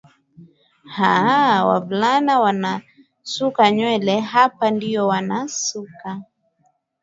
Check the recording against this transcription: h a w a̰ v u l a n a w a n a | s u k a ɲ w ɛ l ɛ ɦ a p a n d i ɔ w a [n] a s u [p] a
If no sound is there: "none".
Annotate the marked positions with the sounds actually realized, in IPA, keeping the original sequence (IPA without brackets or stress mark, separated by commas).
n, k